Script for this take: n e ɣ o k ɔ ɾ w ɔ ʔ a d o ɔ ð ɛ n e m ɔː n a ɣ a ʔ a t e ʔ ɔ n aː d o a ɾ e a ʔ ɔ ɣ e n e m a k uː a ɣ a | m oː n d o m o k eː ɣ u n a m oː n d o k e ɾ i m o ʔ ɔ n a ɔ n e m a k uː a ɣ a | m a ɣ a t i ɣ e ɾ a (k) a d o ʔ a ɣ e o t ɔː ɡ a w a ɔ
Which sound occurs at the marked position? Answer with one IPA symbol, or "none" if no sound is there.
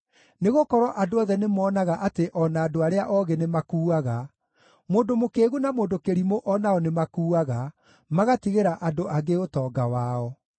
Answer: ʔ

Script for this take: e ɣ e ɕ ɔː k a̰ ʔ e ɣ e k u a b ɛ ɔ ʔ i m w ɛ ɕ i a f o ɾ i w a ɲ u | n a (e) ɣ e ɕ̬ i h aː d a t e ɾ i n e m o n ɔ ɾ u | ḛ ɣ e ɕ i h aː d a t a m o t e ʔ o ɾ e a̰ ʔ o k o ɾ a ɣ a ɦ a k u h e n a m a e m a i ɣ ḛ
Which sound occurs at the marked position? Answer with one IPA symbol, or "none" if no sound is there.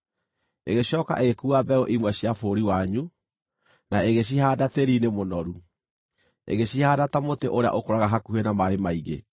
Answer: e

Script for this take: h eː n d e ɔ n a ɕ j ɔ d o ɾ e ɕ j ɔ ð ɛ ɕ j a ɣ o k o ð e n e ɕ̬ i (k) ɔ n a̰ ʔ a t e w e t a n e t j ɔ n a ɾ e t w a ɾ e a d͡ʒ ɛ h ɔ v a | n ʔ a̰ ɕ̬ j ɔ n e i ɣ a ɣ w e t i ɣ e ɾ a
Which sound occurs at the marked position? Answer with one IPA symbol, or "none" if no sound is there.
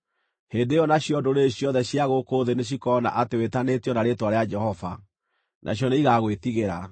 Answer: k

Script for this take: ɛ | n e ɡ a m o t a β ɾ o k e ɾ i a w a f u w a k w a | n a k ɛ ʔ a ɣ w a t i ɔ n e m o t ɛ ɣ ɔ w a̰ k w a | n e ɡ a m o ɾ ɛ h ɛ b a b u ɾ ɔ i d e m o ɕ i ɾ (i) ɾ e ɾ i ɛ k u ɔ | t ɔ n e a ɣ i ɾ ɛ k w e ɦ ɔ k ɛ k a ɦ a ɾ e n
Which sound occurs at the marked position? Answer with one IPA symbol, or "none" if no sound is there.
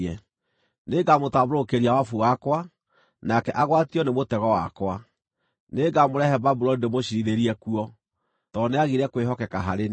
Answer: i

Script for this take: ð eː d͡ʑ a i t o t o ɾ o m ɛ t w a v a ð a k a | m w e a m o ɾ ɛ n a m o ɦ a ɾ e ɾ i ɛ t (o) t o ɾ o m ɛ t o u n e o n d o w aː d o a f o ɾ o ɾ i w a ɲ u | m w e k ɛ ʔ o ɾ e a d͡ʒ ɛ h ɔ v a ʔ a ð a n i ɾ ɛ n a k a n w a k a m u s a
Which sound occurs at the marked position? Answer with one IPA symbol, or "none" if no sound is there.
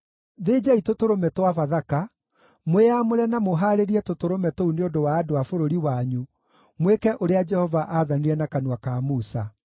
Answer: o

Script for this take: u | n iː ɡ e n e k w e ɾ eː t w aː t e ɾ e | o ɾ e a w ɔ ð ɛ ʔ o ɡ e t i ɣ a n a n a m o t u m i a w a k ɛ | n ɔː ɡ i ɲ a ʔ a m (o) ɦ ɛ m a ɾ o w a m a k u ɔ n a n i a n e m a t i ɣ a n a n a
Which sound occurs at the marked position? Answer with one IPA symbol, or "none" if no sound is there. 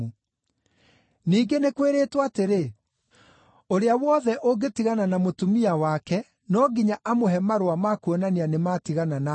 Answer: o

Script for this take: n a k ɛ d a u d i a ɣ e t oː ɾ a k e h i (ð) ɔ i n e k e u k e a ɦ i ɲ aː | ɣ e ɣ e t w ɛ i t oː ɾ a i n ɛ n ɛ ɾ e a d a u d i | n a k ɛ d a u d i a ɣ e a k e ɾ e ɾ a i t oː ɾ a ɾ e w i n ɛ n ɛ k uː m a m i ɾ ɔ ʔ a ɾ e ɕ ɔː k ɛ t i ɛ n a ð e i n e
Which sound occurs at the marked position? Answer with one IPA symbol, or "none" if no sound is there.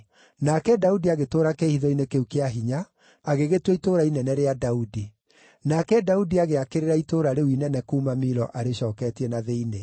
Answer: ð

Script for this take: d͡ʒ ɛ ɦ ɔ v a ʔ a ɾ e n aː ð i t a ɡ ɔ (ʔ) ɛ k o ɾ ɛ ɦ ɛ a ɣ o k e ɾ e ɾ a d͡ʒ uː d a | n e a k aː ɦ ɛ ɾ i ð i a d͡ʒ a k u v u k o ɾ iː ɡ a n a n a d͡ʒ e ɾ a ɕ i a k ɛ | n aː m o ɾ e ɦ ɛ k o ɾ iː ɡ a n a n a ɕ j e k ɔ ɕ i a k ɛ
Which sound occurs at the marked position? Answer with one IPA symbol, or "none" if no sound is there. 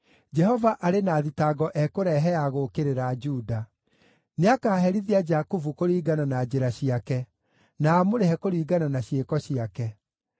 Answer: ʔ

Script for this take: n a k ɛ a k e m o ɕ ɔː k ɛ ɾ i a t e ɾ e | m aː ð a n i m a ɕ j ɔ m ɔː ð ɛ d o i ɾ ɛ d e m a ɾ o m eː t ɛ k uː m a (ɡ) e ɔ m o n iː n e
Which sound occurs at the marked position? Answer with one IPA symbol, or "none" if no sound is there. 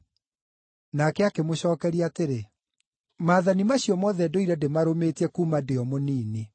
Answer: d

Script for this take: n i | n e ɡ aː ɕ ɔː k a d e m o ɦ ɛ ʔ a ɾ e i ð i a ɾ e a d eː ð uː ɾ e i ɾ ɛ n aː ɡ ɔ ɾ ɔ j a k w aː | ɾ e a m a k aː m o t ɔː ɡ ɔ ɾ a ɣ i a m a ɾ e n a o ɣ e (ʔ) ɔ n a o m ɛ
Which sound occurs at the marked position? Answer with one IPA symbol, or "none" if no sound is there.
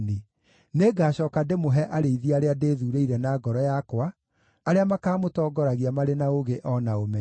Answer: ʔ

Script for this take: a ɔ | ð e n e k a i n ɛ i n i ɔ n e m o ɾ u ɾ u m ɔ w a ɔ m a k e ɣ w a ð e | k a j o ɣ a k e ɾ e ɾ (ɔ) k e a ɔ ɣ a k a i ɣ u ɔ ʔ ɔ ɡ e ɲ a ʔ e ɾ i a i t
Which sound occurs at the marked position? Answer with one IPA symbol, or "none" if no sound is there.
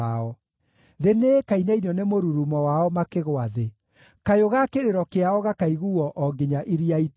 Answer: ɔ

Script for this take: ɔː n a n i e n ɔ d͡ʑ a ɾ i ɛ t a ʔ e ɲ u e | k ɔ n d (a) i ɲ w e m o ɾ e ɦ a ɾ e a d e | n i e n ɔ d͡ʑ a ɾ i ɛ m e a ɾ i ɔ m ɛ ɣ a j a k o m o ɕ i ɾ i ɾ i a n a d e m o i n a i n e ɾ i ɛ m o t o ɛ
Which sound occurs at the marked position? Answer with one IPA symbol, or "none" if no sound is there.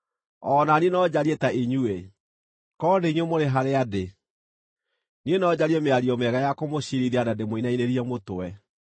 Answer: e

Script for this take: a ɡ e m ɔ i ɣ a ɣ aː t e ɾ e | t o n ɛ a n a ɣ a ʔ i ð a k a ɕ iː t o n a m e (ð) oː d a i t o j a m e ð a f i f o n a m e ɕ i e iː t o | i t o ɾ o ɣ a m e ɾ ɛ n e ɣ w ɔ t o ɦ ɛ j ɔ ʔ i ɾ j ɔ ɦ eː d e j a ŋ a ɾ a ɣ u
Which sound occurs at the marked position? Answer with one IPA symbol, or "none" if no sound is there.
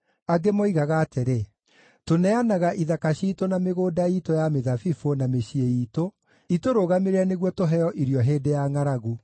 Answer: ɣ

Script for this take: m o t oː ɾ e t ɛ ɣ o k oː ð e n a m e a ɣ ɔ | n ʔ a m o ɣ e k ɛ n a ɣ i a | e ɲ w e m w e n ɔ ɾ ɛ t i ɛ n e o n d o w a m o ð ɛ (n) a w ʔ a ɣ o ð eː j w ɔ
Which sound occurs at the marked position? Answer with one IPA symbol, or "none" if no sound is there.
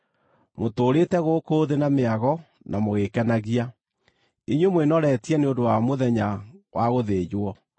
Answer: ɲ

